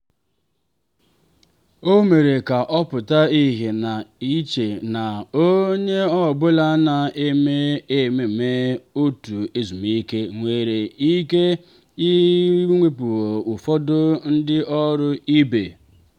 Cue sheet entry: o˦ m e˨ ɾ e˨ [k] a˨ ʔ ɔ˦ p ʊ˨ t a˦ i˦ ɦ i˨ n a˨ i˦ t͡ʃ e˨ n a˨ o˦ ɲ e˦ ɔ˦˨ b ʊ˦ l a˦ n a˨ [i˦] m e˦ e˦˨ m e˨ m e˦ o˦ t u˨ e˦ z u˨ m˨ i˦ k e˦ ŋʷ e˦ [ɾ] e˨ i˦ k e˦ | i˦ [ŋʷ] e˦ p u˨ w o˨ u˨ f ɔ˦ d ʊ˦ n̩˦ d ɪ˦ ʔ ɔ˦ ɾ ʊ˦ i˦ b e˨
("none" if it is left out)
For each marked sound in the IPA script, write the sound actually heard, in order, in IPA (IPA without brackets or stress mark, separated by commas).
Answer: k, e˦, ɾ, ŋʷ